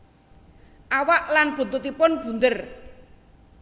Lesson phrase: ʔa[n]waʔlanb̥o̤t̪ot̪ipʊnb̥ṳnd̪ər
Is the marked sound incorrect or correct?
incorrect